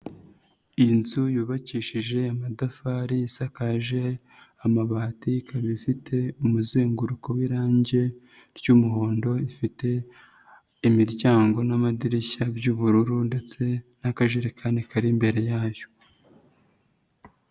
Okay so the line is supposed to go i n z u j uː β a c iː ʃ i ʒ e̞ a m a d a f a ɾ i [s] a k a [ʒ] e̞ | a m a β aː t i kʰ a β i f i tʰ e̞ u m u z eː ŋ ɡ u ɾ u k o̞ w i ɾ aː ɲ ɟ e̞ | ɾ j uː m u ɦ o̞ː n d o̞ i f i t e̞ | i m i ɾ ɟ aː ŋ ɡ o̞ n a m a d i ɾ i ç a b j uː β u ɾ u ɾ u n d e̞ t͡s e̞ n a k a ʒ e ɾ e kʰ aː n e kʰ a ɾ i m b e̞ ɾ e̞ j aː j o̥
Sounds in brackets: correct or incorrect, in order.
correct, correct

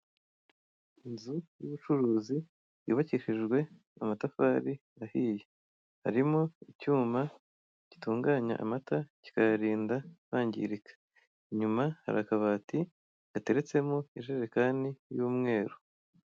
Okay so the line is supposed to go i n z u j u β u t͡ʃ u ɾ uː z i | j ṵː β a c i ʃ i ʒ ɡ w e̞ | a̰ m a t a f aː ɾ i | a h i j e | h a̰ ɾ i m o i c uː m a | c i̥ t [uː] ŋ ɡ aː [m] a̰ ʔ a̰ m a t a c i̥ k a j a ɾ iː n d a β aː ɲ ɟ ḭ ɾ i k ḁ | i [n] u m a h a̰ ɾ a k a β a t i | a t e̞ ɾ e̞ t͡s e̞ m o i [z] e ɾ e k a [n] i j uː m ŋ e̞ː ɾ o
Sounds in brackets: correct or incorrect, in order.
correct, incorrect: ɲ, incorrect: ɲ, incorrect: ʒ, correct

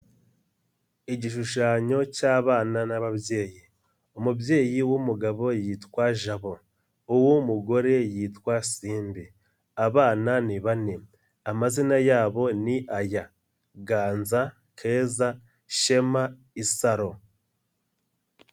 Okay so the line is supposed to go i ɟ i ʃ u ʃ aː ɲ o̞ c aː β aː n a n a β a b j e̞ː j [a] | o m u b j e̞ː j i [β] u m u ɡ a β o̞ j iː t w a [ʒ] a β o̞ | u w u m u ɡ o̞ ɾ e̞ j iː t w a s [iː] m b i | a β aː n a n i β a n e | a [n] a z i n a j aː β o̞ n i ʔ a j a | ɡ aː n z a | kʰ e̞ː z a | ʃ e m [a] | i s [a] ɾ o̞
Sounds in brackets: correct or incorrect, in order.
incorrect: i, incorrect: w, correct, correct, incorrect: m, correct, correct

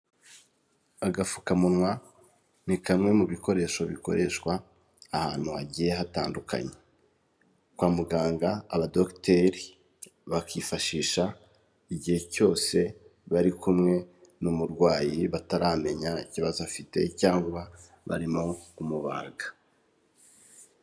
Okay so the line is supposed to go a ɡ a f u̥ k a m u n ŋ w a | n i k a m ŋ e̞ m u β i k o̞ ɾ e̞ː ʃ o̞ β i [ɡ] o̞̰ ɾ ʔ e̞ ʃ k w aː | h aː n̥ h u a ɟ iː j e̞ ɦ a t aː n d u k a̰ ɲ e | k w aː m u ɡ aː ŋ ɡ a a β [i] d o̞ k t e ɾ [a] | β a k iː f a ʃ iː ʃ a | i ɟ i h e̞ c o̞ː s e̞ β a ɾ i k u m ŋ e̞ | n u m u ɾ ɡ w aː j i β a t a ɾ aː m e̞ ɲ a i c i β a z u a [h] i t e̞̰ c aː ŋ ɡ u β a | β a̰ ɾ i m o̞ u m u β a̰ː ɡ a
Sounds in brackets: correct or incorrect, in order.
incorrect: k, incorrect: a, incorrect: i, incorrect: f

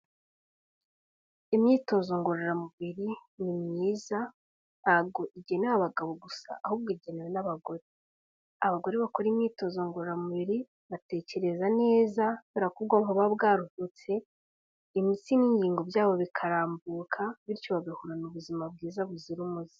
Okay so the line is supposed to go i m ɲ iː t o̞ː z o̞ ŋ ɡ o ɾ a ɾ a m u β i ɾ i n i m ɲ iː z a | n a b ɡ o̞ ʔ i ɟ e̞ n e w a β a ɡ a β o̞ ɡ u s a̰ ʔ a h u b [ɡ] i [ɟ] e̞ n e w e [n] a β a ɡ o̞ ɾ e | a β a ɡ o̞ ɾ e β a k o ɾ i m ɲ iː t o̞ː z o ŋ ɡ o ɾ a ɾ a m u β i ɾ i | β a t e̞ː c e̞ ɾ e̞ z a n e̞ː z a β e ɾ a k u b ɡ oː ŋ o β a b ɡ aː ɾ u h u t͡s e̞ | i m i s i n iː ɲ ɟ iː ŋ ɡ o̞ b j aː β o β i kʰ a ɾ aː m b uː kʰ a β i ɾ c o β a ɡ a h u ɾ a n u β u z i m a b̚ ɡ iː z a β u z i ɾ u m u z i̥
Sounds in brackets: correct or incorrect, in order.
correct, correct, correct

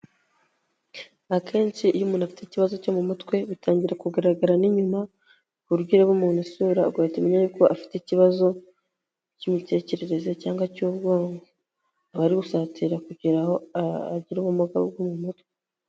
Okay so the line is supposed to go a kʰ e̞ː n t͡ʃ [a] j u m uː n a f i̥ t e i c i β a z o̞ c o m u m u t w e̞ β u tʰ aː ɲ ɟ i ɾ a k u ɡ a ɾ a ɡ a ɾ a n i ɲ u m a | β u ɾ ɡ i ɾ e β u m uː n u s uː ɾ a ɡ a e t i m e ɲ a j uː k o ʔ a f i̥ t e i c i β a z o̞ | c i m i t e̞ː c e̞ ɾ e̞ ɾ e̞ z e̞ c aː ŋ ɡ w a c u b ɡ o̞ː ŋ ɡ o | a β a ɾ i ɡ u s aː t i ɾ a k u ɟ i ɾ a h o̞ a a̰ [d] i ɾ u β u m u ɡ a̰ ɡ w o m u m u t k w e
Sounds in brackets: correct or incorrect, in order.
incorrect: i, incorrect: ɟ

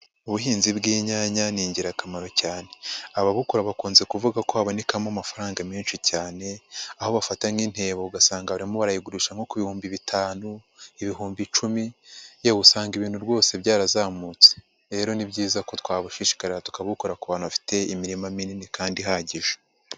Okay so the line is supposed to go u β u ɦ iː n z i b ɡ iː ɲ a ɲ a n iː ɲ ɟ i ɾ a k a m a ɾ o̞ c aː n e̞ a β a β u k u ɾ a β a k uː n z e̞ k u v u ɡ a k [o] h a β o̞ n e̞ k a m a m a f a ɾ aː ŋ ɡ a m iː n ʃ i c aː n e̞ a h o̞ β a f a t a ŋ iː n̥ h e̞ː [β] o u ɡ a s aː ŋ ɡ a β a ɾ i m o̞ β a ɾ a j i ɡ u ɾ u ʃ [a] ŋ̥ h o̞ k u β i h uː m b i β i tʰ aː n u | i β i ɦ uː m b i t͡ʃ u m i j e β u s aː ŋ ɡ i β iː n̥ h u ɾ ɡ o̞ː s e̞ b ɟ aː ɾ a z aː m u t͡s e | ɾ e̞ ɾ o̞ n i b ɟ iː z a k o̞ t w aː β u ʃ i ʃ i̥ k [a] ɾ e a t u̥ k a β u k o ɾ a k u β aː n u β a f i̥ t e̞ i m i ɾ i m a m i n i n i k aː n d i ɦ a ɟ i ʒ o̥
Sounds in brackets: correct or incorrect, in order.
correct, correct, correct, correct

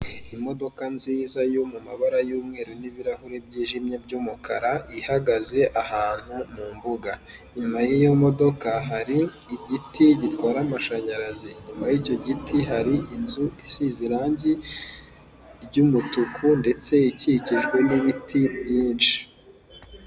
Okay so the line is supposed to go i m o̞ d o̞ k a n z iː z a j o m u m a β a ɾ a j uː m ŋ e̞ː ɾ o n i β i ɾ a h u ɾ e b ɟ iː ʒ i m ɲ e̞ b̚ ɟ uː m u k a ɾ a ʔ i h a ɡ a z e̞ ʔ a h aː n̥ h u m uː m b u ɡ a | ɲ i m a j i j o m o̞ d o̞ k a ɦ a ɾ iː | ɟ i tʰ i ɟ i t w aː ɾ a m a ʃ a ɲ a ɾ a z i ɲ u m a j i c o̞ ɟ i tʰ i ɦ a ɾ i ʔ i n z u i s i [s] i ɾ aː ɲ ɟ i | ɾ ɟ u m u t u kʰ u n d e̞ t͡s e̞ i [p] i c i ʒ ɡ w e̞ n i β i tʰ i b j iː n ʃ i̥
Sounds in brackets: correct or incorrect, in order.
incorrect: z, incorrect: c

